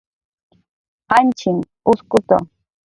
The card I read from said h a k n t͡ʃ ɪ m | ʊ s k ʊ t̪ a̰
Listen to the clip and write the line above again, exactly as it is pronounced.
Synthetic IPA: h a n t͡ʃ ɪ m | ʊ s k ʊ t̪ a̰

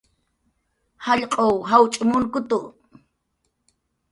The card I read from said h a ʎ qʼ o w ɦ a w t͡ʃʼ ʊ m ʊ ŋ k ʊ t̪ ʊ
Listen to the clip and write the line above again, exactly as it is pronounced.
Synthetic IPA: h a ʎ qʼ o w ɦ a w t͡ʃʼ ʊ m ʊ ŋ k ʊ t̪ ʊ

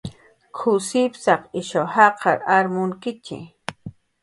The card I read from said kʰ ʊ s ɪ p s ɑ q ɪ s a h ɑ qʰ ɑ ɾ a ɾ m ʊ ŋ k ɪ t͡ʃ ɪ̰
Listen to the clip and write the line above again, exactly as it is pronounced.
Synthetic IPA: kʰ ʊ s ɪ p s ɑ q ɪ ʃ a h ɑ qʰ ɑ ɾ a ɾ m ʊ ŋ k ɪ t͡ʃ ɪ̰

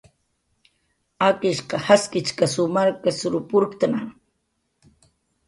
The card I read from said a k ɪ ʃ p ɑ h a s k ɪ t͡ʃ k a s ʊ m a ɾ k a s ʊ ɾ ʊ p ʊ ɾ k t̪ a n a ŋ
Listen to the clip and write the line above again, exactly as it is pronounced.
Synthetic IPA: a k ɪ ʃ q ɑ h a s k ɪ t͡ʃ k a s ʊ m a ɾ k a s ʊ ɾ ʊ p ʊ ɾ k t̪ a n a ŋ

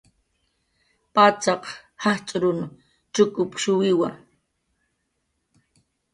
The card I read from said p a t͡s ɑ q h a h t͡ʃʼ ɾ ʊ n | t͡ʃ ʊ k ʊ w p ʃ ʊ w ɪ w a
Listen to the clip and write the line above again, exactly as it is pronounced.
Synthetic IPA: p a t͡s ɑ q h a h t͡ʃʼ ɾ ʊ n | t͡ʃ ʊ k ʊ p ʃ ʊ w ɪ w a

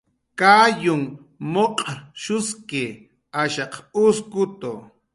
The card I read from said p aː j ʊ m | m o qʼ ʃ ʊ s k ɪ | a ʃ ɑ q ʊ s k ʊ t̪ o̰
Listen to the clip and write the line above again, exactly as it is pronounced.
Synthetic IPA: k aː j ʊ ŋ | m o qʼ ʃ ʊ s k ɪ | a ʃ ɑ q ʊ s k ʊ t̪ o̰

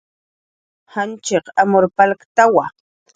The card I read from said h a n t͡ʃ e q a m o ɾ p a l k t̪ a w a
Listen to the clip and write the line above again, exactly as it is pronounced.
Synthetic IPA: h a n t͡ʃ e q a m o ɾ p a l k t̪ a w a

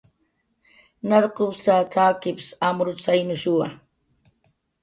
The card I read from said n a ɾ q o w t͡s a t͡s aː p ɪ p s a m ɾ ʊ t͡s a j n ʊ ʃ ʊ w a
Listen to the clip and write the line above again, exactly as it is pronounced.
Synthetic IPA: n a ɾ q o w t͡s a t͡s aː k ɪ p s a m ɾ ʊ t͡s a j n ʊ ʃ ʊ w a

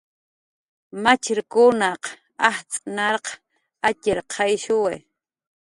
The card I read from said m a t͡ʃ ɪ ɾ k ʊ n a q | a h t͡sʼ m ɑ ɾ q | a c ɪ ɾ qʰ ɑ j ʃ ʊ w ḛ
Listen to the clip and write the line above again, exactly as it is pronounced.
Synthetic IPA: m a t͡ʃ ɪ ɾ k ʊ n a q | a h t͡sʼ n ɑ ɾ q | a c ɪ ɾ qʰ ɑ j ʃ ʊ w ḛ

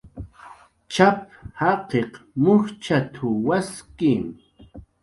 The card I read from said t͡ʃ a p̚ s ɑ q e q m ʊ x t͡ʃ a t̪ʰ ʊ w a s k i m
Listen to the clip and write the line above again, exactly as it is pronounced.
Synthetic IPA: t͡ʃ a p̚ h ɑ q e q m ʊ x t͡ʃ a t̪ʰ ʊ w a s k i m

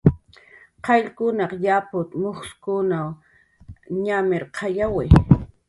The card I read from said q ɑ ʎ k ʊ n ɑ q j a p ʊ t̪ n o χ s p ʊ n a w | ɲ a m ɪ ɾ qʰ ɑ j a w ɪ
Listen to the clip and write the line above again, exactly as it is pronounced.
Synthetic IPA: q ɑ ʎ k ʊ n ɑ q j a p ʊ t̪ m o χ s k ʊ n a w | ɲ a m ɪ ɾ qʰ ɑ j a w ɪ

